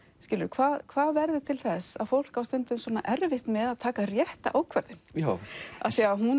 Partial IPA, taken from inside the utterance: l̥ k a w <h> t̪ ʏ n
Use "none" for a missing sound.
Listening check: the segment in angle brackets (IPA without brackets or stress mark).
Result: s